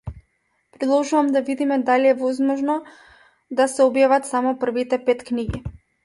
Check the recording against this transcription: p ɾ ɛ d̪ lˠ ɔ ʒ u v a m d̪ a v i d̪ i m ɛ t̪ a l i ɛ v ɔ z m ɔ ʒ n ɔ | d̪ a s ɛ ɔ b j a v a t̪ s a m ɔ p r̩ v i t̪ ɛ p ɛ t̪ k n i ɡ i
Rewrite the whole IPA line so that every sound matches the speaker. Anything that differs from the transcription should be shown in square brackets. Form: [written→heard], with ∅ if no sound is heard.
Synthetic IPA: p ɾ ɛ d̪ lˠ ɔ ʒ u v a m d̪ a v i d̪ i m ɛ [t̪→d̪] a l i ɛ v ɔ z m ɔ ʒ n ɔ | d̪ a s ɛ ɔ b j a v a t̪ s a m ɔ p r̩ v i t̪ ɛ p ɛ t̪ k n i ɡ i